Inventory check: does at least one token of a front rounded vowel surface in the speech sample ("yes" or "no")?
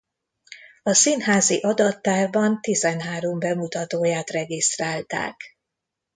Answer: no